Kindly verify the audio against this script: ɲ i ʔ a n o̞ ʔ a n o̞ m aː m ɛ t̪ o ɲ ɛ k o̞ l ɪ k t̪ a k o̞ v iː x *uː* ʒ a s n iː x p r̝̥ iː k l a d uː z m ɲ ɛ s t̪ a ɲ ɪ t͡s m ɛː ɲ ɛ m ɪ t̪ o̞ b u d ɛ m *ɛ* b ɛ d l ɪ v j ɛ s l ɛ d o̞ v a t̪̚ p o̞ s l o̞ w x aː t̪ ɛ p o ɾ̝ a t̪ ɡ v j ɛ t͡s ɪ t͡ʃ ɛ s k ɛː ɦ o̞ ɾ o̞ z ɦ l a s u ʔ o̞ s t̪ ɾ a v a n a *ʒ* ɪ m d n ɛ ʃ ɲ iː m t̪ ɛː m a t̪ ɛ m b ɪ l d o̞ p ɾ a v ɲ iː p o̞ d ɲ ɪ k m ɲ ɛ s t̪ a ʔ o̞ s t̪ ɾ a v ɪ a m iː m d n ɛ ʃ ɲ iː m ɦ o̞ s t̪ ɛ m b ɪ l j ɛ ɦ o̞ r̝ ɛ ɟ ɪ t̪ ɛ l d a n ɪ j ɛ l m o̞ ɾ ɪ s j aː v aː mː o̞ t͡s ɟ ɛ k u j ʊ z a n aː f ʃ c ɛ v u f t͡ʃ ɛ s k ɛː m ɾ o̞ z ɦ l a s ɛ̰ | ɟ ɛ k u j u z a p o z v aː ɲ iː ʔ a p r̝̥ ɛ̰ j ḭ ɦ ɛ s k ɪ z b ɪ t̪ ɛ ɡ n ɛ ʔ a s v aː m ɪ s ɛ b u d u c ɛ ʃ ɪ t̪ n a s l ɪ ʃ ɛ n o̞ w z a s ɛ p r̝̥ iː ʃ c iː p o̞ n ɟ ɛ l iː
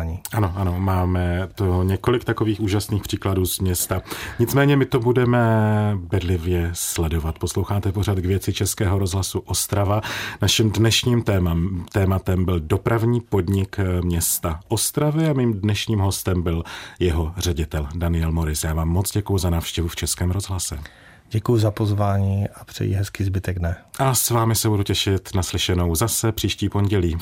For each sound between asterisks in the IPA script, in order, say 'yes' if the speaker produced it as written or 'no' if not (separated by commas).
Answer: yes, yes, no